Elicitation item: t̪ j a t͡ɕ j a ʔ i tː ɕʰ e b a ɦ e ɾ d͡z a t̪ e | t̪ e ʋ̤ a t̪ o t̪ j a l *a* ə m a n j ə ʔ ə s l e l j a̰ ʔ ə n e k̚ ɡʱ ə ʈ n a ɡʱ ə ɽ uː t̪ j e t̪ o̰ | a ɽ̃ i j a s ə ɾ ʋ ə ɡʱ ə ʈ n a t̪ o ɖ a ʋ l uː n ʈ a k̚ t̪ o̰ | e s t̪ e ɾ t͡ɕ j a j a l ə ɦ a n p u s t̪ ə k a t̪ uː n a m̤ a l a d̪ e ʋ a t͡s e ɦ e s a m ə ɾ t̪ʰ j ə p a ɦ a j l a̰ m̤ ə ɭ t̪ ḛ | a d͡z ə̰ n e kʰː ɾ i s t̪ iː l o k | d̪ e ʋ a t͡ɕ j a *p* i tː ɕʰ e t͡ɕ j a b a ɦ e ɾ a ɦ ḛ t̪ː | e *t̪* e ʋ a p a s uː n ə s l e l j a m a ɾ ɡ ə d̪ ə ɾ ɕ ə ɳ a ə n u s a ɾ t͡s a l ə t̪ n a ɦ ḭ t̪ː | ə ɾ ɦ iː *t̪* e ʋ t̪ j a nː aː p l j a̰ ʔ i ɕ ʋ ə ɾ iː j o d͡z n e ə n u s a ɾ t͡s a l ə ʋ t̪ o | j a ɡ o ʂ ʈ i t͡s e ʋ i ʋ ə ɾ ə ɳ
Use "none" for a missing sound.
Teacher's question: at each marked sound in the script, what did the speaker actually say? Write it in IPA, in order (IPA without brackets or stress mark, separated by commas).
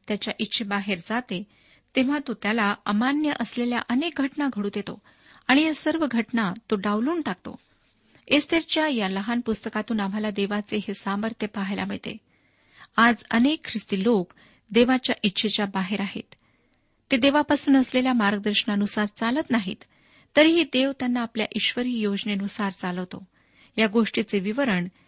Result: a, ʔ, d̪, d̪